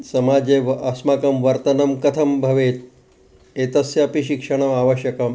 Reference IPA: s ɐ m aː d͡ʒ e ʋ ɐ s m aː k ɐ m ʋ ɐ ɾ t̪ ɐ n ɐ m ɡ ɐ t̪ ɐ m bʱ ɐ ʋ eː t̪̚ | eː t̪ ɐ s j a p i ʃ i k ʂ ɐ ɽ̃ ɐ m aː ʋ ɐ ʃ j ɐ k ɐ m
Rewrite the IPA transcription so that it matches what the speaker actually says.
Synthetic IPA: s ɐ m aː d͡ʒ e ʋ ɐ s m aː k ɐ m ʋ ɐ ɾ t̪ ɐ n ɐ m k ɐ t̪ʰ ɐ m bʱ ɐ ʋ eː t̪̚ | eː t̪ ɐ s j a p i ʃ i k ʂ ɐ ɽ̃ ɐ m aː ʋ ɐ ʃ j ɐ k ɐ m